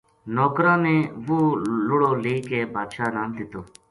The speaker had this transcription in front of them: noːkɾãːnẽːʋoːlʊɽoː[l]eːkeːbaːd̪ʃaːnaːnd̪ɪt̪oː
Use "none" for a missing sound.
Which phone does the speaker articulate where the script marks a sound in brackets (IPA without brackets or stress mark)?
l